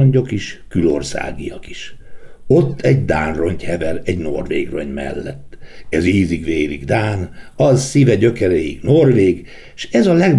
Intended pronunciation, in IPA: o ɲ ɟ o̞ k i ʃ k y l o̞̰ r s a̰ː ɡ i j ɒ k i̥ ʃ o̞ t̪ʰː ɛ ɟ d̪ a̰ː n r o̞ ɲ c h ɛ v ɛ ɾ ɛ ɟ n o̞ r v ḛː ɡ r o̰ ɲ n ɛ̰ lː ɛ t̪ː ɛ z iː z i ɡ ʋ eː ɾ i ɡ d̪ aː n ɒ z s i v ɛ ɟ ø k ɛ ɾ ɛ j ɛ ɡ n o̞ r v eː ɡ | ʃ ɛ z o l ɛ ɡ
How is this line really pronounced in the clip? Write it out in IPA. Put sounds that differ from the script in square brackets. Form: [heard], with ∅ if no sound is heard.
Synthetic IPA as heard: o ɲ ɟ o̞ k i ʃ k y l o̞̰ r s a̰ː ɡ i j ɒ k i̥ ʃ o̞ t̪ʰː ɛ ɟ d̪ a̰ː n r o̞ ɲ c h ɛ v ɛ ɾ ɛ ɟ n o̞ r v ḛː ɡ r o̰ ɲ [m] ɛ̰ lː ɛ t̪ː ɛ z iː z i ɡ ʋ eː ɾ i ɡ d̪ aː n ɒ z s i v ɛ ɟ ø k ɛ ɾ ɛ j [i] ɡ n o̞ r v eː ɡ | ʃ ɛ z [ɒ] l ɛ ɡ